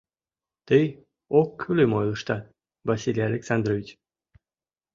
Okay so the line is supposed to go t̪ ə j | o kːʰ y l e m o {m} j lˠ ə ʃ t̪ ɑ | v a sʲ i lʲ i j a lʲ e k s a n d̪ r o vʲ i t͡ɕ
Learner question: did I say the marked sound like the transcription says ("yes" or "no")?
no